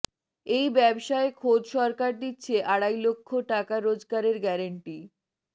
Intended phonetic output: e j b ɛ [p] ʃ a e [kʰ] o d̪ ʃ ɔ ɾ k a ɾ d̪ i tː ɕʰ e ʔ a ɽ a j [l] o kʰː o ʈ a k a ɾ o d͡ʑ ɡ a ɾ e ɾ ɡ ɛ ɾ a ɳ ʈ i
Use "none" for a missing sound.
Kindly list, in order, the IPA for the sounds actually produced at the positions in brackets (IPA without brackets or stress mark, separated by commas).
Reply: b, kʰ, l